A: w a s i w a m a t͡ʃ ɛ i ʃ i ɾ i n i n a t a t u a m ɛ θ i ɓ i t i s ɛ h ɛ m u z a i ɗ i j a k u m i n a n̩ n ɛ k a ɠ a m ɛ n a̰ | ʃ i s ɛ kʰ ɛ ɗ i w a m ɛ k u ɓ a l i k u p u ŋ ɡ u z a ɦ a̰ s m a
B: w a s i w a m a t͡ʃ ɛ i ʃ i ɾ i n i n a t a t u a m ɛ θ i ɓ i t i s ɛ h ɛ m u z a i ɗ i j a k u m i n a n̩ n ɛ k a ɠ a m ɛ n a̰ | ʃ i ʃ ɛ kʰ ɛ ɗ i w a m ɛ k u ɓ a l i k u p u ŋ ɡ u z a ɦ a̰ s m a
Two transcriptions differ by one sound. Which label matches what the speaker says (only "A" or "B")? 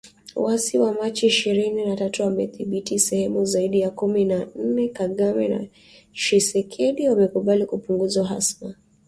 A